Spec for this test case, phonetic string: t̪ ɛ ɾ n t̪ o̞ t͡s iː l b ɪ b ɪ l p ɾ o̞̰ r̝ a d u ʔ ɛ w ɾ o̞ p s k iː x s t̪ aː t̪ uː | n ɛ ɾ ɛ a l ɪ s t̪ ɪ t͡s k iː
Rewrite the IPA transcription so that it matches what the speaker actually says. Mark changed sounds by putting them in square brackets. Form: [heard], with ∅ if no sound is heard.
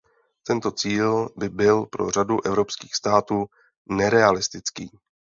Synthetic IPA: t̪ ɛ [∅] n t̪ o̞ t͡s iː l b ɪ b ɪ l p ɾ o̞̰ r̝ a d u ʔ ɛ [v] ɾ o̞ p s k iː x s t̪ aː t̪ uː | n ɛ ɾ ɛ a l ɪ s t̪ ɪ t͡s k iː